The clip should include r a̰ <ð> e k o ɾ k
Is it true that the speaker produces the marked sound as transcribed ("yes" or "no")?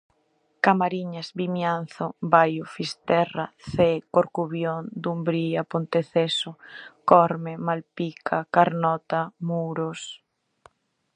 no